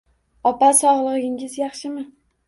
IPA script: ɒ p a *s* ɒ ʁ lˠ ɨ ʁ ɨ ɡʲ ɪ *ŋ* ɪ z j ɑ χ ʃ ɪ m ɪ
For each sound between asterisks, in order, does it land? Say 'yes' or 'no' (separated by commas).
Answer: yes, yes